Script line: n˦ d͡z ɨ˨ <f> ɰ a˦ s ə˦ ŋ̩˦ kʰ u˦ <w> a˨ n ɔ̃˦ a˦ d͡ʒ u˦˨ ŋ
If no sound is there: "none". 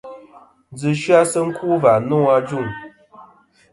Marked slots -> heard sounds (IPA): ʃ, v

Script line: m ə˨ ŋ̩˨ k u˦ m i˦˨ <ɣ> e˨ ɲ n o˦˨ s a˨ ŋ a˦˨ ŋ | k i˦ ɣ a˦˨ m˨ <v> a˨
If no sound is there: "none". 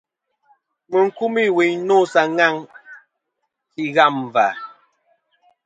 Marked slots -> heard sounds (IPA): w, v

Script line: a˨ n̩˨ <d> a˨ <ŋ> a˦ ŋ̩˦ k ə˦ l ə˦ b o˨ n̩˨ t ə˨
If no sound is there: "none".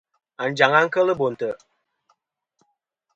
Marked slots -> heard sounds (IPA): d͡ʒ, ŋ

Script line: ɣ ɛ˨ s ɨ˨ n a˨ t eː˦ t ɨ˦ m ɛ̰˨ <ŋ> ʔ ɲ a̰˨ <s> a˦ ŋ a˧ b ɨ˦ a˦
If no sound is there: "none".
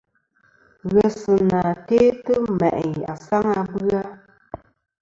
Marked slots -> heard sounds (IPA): none, s

